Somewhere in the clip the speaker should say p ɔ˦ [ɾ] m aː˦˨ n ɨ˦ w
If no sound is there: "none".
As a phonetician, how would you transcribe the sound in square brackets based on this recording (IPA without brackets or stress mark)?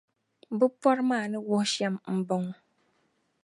ɾ